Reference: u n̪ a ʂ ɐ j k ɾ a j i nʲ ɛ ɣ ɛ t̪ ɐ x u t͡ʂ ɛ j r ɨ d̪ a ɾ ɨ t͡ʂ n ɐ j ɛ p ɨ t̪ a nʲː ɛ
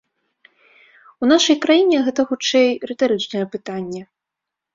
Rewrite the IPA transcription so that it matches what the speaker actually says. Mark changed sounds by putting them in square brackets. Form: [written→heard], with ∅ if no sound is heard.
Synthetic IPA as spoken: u n̪ a ʂ ɐ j k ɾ a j i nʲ ɛ ɣ ɛ t̪ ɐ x u t͡ʂ ɛ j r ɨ [d̪→t̪] a ɾ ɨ t͡ʂ n ɐ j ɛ p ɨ t̪ a nʲː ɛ